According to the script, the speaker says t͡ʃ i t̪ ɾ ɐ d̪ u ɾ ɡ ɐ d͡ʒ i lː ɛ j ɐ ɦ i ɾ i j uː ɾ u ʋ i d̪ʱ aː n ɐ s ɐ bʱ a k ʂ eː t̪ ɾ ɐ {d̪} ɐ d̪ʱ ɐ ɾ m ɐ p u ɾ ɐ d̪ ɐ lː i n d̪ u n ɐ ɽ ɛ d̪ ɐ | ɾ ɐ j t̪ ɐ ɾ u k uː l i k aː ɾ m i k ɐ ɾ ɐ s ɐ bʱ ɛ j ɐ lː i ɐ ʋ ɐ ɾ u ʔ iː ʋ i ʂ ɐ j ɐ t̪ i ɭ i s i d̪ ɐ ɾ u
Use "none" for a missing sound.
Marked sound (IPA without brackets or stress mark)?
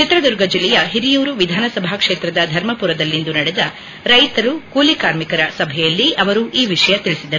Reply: d̪